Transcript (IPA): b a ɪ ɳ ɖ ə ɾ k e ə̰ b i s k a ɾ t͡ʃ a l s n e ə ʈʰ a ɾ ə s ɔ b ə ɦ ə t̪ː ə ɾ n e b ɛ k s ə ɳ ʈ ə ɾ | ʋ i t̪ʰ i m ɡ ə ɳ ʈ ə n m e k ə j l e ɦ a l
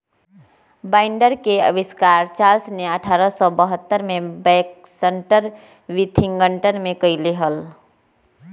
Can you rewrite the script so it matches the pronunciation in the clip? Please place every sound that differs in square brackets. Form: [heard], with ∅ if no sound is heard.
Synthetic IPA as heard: b a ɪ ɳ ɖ ə ɾ k e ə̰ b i s k a ɾ t͡ʃ a l s n e ə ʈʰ a ɾ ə s ɔ b ə ɦ ə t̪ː ə ɾ [m] e b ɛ k s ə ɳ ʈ ə ɾ | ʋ i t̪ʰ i [ŋ] ɡ ə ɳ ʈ ə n m e k ə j l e ɦ [ə] l